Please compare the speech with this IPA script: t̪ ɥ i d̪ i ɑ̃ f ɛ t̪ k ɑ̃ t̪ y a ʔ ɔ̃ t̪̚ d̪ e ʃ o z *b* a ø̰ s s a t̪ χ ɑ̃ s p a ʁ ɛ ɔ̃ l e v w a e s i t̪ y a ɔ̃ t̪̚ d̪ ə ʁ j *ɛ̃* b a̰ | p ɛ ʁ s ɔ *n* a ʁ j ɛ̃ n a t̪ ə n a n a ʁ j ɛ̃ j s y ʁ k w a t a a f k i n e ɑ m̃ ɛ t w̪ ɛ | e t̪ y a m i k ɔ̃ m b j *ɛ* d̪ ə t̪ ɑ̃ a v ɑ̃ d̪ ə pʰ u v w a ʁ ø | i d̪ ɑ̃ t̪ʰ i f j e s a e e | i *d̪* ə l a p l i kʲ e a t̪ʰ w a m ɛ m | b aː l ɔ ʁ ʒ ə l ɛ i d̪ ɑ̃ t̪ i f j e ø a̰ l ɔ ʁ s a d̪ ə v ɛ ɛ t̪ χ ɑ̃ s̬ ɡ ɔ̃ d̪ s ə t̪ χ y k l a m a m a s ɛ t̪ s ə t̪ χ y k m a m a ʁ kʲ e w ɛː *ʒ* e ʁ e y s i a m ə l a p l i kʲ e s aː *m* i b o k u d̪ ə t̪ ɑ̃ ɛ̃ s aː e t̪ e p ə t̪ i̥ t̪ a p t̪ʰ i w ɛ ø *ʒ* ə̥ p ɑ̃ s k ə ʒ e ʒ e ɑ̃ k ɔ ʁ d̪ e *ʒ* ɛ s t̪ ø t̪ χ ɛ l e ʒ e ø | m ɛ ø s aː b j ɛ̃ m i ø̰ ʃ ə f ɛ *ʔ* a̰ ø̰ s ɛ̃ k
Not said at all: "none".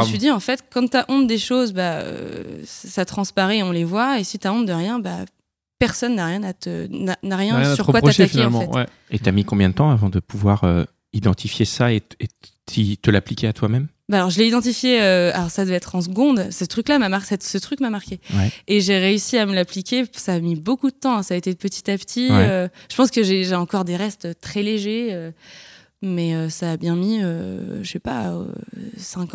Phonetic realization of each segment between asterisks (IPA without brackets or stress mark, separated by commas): b, ɛ̃, nː, ɛ̃, t̪, ʒ, m, ʒ, ʁ, p